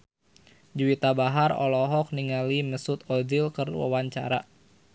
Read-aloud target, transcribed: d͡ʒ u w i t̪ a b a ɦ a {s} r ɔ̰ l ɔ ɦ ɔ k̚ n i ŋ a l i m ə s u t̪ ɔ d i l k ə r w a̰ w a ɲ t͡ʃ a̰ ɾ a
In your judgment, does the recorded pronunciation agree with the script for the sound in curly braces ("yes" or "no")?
no